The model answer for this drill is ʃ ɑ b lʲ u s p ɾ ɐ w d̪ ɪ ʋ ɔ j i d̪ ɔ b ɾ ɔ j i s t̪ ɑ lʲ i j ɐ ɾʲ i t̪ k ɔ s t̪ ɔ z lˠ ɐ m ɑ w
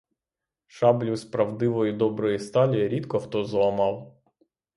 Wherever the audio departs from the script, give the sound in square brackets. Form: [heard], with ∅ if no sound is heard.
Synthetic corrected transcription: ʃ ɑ b lʲ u s p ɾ ɐ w d̪ ɪ ʋ ɔ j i d̪ ɔ b ɾ ɔ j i s t̪ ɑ lʲ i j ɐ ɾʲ i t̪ k ɔ [x] t̪ ɔ z lˠ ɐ m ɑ w